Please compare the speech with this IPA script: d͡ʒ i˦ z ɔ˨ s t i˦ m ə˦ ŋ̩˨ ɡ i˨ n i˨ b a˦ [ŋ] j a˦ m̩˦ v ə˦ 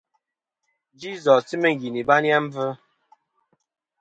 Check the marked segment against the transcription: incorrect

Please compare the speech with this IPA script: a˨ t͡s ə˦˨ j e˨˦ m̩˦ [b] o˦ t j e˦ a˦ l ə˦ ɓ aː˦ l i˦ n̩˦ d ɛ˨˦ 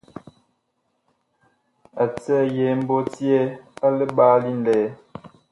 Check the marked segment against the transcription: correct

